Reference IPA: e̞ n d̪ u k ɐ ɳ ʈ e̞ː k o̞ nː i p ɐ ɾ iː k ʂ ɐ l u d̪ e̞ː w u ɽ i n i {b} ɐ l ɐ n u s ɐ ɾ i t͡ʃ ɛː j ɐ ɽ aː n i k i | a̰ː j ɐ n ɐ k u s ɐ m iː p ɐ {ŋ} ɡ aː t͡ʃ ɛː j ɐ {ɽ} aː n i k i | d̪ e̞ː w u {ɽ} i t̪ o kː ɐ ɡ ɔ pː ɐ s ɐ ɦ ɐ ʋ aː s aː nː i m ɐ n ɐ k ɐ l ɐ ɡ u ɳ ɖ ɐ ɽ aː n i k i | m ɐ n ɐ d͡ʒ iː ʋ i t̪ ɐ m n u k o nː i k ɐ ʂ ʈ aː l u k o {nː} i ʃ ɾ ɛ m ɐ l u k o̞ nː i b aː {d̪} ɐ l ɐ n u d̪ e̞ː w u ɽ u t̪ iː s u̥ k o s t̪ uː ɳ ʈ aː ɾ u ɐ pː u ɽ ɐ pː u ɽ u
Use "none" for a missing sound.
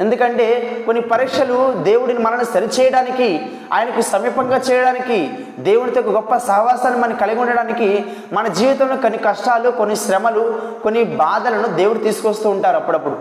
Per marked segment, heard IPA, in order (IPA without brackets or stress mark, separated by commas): m, ŋ, ɽ, ɽ, nː, d̪